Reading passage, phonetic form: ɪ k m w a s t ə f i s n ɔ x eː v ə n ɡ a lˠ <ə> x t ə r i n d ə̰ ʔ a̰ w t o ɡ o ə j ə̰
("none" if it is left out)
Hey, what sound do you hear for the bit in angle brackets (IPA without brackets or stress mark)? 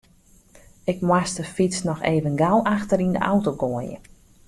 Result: a